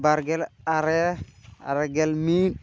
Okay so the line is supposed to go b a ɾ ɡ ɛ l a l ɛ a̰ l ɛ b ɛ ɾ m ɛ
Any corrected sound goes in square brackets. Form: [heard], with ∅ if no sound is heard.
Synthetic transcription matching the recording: b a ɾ ɡ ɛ l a [ɾ] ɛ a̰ [ɾ] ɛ [ɡ] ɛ [l] m [i]